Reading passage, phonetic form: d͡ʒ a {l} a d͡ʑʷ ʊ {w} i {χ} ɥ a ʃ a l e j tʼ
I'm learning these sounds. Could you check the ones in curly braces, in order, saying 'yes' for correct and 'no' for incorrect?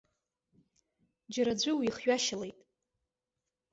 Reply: no, yes, yes

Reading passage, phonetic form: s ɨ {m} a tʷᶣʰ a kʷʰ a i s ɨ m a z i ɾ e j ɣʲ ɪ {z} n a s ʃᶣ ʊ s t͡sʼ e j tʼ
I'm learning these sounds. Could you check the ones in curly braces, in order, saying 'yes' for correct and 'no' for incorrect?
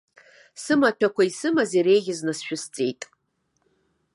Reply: yes, yes

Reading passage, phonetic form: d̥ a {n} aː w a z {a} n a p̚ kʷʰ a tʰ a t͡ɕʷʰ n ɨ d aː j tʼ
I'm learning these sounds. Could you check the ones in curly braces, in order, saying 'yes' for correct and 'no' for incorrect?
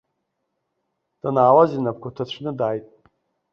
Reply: yes, no

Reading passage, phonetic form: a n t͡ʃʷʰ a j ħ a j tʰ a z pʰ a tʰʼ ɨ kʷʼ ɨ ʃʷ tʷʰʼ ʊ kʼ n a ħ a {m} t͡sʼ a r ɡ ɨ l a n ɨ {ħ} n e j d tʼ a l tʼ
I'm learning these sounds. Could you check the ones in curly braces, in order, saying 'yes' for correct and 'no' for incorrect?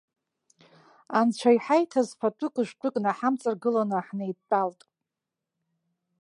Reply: yes, yes

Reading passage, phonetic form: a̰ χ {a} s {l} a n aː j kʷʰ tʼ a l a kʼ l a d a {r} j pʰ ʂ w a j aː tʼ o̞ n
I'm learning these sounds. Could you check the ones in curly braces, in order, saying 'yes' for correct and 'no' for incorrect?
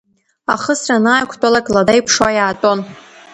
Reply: no, no, no

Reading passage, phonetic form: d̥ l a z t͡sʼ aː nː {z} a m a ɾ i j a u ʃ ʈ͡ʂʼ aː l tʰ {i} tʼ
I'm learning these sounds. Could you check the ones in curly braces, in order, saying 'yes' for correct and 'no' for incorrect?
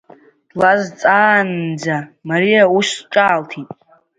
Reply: no, yes

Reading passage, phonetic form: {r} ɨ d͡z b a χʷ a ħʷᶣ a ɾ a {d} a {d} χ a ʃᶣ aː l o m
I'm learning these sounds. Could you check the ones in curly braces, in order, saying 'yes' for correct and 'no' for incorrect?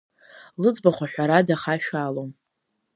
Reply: no, yes, no

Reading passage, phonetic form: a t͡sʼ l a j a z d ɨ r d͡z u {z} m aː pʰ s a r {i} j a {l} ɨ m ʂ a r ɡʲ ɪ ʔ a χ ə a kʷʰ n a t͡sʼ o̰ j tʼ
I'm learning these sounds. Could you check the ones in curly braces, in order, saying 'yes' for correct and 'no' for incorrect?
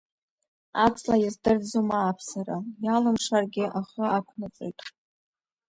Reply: no, no, yes

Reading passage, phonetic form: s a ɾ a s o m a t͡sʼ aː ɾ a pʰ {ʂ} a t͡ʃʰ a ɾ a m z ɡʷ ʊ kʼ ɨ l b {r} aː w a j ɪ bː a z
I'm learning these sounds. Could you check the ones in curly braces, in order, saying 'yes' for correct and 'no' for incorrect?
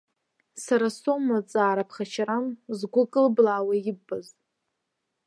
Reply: no, no

